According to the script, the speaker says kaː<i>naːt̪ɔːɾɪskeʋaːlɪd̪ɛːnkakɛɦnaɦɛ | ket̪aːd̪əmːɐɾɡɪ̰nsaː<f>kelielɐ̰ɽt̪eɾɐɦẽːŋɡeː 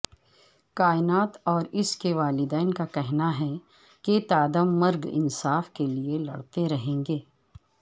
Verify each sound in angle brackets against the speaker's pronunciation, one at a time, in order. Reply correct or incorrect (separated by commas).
incorrect, correct